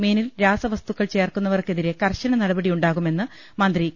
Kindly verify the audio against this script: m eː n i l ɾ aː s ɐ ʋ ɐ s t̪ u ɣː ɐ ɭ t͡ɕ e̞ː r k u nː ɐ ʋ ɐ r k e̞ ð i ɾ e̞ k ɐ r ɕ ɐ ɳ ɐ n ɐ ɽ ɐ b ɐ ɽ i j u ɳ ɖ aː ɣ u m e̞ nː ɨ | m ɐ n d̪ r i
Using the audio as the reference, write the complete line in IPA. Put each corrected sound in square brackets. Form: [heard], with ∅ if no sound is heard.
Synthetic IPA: m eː n i l ɾ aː s ɐ ʋ ɐ s t̪ u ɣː ɐ ɭ t͡ɕ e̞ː r k u nː ɐ ʋ ɐ r k e̞ ð i ɾ e̞ k ɐ r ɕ ɐ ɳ ɐ n ɐ ɽ ɐ b ɐ ɽ i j u ɳ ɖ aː ɣ u m e̞ nː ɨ | m ɐ n d̪ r i